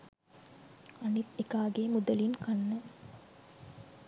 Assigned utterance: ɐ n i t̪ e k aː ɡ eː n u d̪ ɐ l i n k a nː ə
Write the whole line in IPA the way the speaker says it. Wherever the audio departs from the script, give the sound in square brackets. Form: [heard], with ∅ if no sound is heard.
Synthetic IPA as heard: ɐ n i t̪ e k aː ɡ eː [m] u d̪ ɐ l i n k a nː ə